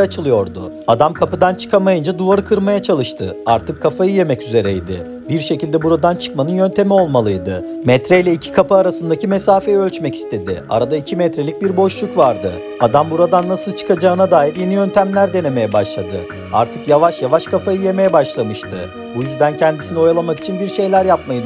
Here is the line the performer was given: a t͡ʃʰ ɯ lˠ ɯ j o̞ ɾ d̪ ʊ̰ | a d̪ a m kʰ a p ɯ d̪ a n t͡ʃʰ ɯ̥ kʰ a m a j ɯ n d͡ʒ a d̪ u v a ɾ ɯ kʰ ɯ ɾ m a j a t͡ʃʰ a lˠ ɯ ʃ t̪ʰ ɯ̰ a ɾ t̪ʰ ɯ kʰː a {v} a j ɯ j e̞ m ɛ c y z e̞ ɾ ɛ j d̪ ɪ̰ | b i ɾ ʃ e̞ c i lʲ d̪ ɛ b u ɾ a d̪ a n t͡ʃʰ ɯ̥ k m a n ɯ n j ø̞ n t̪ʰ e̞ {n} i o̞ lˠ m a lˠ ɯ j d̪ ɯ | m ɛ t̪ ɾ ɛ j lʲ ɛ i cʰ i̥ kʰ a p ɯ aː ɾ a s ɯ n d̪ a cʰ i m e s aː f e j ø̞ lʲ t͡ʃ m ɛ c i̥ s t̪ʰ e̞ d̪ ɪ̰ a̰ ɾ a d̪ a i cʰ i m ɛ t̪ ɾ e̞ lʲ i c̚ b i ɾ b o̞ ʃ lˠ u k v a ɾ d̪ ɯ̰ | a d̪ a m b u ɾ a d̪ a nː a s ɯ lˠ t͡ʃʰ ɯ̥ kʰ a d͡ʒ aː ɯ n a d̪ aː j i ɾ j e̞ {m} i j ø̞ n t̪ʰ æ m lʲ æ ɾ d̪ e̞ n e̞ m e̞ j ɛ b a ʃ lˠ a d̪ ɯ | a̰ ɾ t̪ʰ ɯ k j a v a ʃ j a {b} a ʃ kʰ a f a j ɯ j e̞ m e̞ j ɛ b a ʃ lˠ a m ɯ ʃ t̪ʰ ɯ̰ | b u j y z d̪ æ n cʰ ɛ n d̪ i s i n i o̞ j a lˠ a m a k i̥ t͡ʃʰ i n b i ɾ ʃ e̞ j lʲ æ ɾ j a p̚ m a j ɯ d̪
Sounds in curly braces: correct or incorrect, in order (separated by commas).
incorrect, incorrect, incorrect, incorrect